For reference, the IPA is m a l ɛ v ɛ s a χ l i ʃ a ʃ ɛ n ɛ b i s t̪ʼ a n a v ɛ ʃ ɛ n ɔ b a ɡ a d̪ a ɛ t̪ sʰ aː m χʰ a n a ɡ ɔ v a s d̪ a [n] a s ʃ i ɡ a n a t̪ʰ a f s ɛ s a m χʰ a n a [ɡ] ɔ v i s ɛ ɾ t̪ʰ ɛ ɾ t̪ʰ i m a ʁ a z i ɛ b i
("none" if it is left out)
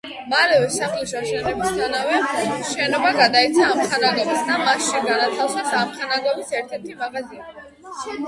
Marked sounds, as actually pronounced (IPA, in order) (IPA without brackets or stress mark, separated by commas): m, ɡ